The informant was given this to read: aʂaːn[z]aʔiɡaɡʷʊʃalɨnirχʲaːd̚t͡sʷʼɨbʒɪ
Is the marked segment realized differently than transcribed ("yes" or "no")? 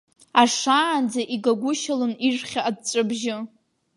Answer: yes